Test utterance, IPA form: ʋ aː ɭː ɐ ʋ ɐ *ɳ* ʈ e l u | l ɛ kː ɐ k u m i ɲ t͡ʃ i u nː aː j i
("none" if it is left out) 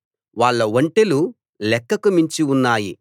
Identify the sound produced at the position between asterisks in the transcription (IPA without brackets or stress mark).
ɳ